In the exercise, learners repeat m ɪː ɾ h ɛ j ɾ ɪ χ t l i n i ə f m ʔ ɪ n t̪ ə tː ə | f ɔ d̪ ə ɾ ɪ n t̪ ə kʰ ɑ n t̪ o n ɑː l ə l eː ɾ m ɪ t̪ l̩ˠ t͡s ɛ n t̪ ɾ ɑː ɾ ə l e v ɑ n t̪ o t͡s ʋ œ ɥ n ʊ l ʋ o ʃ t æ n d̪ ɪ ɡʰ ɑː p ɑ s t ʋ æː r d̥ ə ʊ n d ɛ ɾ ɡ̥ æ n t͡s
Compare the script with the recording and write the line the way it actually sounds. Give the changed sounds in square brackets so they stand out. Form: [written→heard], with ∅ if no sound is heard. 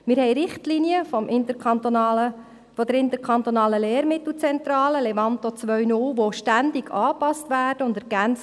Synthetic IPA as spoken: m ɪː ɾ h ɛ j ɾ ɪ χ t l i n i ə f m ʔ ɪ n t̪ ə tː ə | f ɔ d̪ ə ɾ ɪ n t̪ ə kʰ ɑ n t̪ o n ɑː l ə l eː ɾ m ɪ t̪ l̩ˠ t͡s ɛ n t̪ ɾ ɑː [ɾ→l] ə l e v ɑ n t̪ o t͡s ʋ œ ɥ n ʊ l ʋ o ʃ t æ n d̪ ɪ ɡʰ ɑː p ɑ s t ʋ æː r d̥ ə ʊ n d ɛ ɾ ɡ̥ æ n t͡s

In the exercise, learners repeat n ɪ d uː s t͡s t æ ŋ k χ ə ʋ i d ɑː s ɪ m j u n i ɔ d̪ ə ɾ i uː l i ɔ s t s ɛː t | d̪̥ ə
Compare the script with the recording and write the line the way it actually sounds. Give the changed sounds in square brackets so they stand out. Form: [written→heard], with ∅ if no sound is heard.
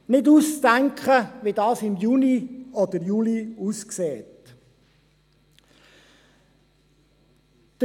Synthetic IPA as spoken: n ɪ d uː s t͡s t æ ŋ k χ ə ʋ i d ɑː s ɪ m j u n i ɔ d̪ ə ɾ [i→j] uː l i [ɔ→u] s [t→k] s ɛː t | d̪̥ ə

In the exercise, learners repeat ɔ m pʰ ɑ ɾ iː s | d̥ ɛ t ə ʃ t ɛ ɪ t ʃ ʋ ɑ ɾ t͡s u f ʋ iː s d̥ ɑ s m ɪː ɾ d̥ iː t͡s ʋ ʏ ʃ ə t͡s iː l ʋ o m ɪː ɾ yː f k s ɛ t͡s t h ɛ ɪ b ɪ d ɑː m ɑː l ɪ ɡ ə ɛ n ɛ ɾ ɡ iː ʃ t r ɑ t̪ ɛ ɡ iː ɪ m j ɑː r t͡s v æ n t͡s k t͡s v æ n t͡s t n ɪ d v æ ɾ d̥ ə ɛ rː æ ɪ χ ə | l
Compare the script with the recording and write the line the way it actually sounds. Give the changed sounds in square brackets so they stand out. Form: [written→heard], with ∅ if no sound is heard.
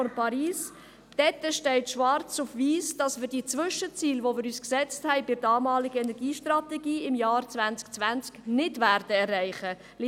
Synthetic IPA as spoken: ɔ [m→n] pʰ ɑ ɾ iː s | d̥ ɛ t ə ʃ t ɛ ɪ t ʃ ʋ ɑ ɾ t͡s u f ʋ iː s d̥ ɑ s m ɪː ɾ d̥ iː t͡s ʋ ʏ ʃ ə t͡s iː l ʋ o m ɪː ɾ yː [f→s] k s ɛ t͡s t h ɛ ɪ b ɪ d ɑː m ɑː l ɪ ɡ ə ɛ n ɛ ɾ ɡ iː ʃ t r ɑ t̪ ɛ ɡ iː ɪ m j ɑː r t͡s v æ n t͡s k t͡s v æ n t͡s [t→k] n ɪ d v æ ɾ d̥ ə ɛ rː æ ɪ χ ə | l

